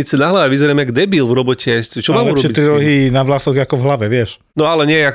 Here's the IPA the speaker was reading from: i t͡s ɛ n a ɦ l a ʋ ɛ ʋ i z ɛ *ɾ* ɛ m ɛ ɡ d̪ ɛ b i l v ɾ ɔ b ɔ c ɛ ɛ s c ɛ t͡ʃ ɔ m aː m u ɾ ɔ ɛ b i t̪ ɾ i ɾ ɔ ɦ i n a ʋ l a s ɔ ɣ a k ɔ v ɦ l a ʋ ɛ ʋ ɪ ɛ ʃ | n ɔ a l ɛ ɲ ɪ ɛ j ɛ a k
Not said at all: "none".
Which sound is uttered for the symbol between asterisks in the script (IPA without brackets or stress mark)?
ɾ